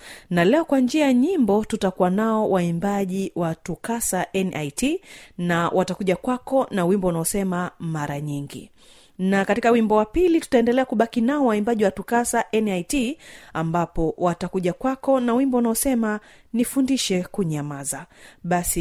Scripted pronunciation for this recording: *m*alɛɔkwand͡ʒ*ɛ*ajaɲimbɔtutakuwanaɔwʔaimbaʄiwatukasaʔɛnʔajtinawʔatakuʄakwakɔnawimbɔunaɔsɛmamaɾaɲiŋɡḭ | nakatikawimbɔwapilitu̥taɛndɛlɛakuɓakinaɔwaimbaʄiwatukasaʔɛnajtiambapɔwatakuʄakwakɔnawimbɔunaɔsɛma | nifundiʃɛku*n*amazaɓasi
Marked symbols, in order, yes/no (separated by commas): no, no, no